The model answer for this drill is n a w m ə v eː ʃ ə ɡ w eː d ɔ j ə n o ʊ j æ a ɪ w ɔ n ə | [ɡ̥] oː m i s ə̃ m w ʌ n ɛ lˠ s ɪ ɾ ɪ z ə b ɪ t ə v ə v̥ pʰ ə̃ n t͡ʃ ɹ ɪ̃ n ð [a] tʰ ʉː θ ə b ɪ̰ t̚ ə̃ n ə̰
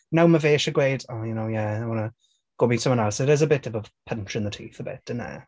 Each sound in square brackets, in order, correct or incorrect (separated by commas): correct, incorrect